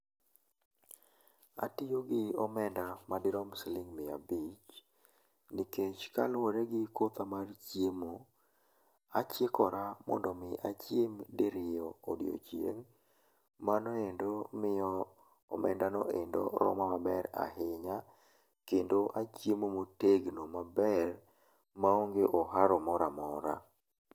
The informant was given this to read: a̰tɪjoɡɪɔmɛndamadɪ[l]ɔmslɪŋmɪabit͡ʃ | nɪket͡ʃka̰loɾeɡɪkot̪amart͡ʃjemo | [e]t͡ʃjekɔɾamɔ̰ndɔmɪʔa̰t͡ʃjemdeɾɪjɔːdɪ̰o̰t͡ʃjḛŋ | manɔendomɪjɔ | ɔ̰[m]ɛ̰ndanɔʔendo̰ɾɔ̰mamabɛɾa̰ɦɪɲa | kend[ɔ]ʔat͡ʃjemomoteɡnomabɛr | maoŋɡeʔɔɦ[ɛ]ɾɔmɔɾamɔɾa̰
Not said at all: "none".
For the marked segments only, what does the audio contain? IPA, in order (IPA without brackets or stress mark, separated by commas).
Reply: ɾ, a, m, o, a